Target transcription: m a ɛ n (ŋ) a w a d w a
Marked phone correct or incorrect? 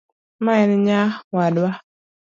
incorrect